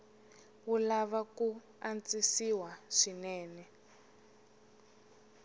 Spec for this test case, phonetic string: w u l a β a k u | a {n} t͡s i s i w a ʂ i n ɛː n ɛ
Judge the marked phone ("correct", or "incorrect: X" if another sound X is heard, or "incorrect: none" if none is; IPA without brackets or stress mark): correct